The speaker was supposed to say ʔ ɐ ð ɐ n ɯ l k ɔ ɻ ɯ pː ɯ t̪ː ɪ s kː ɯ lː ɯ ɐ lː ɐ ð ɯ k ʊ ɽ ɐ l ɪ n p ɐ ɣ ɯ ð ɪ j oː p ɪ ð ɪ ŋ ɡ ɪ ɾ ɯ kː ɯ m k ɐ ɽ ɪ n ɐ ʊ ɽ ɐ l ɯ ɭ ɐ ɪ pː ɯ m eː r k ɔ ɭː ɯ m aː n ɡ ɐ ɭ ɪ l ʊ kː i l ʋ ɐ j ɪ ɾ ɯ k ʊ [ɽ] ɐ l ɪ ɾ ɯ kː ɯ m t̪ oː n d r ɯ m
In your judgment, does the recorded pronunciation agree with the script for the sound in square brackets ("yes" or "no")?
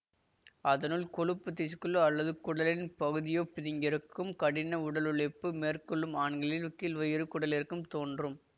yes